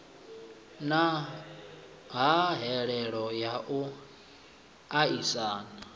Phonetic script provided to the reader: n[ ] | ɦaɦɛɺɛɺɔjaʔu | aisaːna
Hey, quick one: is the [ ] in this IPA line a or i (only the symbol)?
a